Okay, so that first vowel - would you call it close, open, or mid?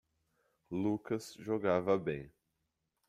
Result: close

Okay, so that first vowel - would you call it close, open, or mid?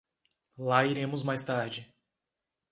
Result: open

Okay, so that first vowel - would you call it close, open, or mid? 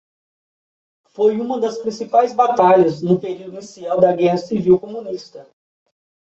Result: mid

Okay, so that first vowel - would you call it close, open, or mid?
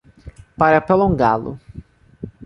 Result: open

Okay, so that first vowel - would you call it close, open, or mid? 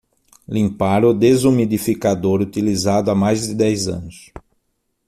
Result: close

